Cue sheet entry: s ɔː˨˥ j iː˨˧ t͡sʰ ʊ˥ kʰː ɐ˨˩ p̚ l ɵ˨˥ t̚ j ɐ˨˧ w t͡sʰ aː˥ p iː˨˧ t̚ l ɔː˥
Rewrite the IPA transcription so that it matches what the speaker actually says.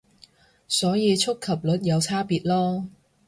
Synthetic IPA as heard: s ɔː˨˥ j iː˨˧ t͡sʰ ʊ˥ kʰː ɐ˨˩ p̚ l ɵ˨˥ t̚ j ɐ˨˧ w t͡sʰ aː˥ p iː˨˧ t̚ l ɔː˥